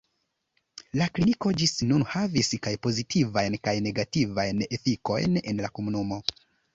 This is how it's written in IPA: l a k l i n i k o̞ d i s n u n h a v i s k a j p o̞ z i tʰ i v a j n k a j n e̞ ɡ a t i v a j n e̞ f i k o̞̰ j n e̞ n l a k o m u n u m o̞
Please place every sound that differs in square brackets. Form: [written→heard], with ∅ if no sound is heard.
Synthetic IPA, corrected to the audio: l a k l i n i k o̞ [d→d͡ʒ] i s n u n h a v i s k a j p o̞ z i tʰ i v a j n k a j n e̞ ɡ a t i v a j n e̞ f i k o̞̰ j n e̞ n l a k o m u n u m o̞